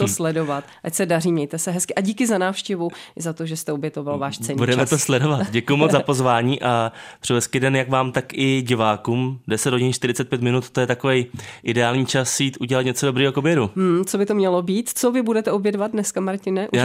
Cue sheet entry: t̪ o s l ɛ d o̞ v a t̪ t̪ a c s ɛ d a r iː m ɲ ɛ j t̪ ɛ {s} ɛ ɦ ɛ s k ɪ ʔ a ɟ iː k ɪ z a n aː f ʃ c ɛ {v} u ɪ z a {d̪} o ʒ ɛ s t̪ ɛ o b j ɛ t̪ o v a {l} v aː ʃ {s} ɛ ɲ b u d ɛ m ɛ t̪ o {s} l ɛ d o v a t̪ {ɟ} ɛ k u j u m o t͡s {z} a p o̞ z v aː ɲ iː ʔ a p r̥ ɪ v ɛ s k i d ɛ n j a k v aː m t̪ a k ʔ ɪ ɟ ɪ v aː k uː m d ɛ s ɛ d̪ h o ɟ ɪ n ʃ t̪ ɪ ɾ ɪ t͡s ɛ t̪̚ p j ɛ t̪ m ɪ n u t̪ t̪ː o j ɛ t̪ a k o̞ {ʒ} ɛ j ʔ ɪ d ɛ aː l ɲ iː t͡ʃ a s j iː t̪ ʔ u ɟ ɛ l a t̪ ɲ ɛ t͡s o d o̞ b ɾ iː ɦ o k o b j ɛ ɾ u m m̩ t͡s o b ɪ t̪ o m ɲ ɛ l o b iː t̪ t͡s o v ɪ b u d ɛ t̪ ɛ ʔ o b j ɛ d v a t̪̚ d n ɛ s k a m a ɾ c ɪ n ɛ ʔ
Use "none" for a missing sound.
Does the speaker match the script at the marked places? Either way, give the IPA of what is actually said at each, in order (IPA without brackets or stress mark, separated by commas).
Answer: s, v, t̪, l, t͡s, s, ɟ, z, v